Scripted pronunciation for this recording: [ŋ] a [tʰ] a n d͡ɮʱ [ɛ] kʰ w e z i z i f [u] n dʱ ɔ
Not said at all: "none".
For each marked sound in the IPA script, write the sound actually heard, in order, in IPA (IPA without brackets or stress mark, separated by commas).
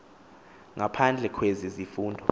ŋ, pʰ, ɛ, uː